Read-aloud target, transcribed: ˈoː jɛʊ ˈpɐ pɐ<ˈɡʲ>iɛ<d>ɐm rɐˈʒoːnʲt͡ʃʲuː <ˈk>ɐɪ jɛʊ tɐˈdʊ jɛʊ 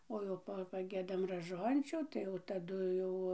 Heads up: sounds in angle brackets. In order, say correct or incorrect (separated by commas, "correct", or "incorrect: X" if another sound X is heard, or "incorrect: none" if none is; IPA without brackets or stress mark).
correct, correct, incorrect: t